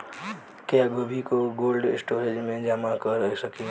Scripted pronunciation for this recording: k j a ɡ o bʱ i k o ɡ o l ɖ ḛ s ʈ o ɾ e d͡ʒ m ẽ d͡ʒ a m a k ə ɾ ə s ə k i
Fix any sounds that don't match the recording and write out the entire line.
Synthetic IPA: k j a ɡ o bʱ i k o ɡ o l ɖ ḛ s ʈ o ɾ e d͡ʒ m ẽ d͡ʒ a m a k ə ɾ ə s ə k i